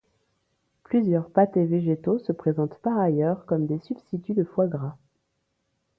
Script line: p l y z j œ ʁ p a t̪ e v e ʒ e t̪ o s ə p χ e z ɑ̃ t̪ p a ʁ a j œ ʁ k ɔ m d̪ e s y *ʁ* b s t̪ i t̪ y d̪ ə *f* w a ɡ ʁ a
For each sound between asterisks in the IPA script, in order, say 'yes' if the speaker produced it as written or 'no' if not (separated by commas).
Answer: no, yes